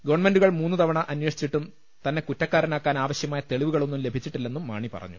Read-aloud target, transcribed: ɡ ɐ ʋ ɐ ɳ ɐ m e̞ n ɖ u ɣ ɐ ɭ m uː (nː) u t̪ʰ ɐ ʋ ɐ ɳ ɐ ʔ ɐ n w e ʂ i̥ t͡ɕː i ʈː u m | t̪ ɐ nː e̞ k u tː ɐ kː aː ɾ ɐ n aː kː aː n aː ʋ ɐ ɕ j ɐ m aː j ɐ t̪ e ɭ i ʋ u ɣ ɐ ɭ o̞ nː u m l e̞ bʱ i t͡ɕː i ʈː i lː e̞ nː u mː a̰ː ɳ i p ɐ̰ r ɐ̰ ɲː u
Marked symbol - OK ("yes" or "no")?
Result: yes